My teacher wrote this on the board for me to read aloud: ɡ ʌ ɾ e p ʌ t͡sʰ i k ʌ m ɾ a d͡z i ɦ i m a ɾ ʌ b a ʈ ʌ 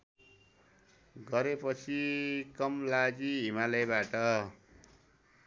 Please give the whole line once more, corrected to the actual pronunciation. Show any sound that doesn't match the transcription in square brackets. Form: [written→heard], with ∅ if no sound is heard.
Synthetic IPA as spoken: ɡ ʌ ɾ e p ʌ t͡sʰ i k ʌ m [ɾ→l] a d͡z i ɦ i m a [ɾ→l] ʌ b a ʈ ʌ